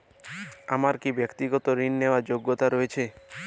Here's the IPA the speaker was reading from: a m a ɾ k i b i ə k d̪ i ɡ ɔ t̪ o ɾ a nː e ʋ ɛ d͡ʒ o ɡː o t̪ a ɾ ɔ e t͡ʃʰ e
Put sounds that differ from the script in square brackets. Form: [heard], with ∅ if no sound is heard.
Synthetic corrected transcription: a m a ɾ k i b [j] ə k [t̪] i ɡ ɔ t̪ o ɾ [i] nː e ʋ [a] d͡ʒ o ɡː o t̪ a ɾ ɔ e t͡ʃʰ e